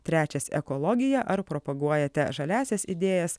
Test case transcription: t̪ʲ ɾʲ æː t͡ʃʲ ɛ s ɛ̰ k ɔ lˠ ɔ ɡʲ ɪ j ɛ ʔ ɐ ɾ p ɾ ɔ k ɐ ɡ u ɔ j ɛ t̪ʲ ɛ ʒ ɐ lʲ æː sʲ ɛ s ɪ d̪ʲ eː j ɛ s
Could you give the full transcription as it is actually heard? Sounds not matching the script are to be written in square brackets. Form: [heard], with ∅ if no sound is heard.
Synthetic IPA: t̪ʲ ɾʲ æː t͡ʃʲ ɛ s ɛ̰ k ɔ lˠ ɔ ɡʲ ɪ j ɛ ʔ ɐ ɾ p ɾ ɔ [p] ɐ ɡ u ɔ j ɛ t̪ʲ ɛ ʒ ɐ lʲ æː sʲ ɛ s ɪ d̪ʲ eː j ɛ s